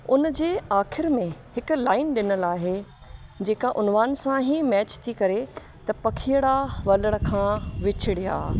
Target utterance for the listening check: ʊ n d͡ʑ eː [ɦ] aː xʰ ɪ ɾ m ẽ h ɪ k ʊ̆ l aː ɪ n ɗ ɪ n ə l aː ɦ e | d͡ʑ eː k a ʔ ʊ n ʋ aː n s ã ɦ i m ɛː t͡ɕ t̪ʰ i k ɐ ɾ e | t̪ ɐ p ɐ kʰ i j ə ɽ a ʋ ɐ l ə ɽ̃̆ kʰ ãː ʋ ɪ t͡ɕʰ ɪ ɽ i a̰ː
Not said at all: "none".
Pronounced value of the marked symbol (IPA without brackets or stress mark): none